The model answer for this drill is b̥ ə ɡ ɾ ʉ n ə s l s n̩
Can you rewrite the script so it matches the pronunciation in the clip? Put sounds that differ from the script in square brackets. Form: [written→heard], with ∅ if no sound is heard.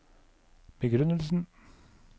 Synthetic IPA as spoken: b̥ ə ɡ ɾ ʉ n ə [s→∅] l s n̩